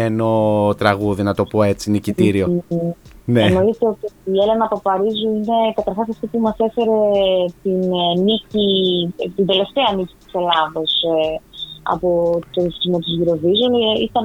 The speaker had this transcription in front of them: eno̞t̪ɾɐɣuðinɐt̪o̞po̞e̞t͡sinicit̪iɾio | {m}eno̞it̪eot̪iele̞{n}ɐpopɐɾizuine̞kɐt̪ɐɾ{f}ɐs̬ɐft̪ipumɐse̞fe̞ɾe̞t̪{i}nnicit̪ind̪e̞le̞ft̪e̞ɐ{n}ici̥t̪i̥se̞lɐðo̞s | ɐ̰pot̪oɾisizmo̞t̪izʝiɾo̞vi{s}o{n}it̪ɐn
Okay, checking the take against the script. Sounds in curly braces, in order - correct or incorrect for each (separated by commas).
incorrect, correct, incorrect, correct, correct, incorrect, correct